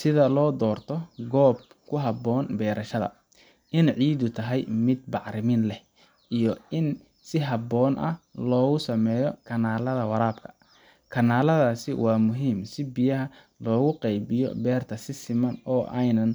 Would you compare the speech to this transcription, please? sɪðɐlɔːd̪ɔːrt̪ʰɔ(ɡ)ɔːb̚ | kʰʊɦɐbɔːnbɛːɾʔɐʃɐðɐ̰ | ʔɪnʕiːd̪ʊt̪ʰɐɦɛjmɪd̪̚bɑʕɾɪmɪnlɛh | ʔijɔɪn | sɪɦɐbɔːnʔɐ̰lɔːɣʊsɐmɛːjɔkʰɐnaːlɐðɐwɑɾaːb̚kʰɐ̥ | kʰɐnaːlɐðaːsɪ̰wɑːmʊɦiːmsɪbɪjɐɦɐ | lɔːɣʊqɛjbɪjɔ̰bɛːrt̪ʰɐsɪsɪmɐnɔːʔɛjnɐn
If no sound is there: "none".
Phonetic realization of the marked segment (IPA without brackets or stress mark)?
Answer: ɡ